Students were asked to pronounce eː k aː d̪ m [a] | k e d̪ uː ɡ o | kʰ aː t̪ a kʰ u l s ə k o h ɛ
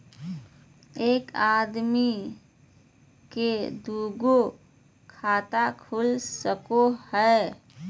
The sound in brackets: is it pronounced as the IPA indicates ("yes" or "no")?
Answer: no